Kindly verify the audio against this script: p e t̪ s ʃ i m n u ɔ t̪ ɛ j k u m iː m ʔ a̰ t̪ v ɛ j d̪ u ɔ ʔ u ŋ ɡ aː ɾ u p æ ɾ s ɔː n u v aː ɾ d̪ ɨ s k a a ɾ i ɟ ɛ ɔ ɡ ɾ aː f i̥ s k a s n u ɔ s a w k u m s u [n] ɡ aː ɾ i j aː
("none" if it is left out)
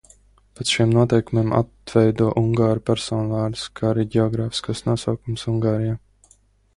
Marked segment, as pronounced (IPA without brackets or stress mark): ŋ